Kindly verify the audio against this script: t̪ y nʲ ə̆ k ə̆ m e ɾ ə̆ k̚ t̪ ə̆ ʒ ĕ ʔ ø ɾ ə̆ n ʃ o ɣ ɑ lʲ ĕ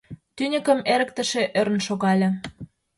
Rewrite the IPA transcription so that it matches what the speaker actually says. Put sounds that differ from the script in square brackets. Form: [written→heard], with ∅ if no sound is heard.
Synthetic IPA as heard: t̪ y nʲ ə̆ k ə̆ m e ɾ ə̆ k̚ t̪ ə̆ [ʒ→ʃ] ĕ ʔ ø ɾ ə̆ n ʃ o ɣ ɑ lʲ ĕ

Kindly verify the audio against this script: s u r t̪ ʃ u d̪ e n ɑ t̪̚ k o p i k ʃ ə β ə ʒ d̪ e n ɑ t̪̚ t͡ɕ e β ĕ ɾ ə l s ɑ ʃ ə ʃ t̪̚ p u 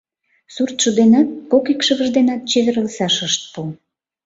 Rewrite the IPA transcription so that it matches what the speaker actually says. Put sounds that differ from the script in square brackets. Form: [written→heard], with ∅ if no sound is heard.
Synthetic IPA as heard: s u r t̪ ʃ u d̪ e n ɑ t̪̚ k o [p→k] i k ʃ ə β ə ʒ d̪ e n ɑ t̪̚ t͡ɕ e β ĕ ɾ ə l s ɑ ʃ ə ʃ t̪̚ p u

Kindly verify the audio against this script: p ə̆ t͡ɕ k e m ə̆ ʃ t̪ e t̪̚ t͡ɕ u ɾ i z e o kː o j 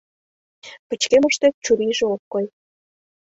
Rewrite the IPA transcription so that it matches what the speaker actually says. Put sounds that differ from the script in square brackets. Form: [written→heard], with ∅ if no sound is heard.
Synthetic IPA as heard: p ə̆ t͡ɕ k e m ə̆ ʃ t̪ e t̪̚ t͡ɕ u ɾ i [z→ʒ] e o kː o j

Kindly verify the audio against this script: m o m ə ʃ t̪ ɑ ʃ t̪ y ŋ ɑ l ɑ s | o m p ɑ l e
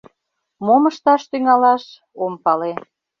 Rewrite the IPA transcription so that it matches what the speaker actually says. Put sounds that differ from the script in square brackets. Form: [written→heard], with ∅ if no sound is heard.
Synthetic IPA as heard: m o m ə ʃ t̪ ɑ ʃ t̪ y ŋ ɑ l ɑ [s→ʃ] | o m p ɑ l e

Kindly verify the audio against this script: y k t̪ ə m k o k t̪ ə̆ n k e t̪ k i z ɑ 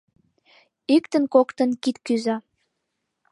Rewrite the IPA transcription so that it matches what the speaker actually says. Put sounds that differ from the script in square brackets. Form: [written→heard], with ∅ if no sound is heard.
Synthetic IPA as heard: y k t̪ ə [m→n] k o k t̪ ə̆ n k [e→i] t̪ k [i→y] z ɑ

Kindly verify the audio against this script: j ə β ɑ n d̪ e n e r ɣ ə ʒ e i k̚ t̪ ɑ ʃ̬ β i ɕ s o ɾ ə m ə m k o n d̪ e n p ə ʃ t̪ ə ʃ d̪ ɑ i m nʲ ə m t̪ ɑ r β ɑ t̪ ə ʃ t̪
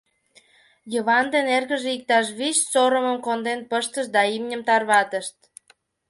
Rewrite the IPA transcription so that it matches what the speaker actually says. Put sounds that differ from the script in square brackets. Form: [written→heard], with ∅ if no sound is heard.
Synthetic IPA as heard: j ə β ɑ n d̪ e n e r ɣ ə ʒ e i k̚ t̪ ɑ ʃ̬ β i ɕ s o ɾ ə m ə m k o n d̪ e n p ə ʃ t̪ ə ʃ d̪ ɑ i m nʲ ə m t̪ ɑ r β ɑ t̪ ə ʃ t̪

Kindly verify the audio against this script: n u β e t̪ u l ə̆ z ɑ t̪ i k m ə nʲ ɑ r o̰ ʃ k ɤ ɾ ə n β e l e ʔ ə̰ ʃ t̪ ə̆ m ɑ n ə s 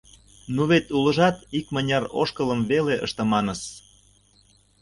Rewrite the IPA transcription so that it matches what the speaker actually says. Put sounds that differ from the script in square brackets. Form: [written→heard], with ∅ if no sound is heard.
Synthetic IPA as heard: n u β e t̪ u l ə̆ [z→ʒ] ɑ t̪ i k m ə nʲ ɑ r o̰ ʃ k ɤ [ɾ→l] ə [n→m] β e l e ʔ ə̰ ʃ t̪ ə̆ m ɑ n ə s

